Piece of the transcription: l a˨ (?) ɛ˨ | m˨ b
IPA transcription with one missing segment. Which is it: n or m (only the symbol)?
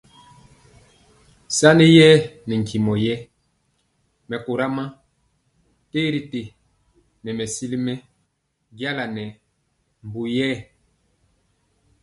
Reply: n